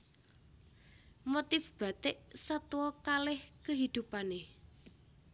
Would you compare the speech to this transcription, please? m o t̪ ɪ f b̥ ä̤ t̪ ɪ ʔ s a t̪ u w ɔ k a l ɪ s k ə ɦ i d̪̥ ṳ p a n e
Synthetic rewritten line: m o t̪ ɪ f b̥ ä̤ t̪ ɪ ʔ s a t̪ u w ɔ k a l ɪ h k ə ɦ i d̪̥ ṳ p a n e